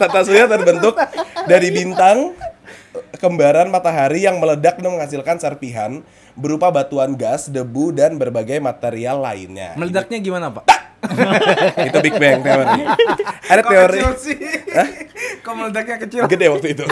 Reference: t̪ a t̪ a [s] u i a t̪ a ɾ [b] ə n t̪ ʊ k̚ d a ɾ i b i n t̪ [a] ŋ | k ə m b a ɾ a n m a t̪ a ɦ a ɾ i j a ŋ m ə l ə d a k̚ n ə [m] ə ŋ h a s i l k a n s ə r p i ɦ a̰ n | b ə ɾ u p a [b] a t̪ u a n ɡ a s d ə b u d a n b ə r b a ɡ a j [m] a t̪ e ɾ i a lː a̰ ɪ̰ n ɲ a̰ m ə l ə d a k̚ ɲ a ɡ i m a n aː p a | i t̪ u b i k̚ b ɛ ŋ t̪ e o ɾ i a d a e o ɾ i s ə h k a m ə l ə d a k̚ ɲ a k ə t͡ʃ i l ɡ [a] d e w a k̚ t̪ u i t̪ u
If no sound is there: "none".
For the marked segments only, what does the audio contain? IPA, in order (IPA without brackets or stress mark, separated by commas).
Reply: s, b, a, m, b, m, ə